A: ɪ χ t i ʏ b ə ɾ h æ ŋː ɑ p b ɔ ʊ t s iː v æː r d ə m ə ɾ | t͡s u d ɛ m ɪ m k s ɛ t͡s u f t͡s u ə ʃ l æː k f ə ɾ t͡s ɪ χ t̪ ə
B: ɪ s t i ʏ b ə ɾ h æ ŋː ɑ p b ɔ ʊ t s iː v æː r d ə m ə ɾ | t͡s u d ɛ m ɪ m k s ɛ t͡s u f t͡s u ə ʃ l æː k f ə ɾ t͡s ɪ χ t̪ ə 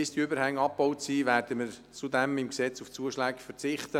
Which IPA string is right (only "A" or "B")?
B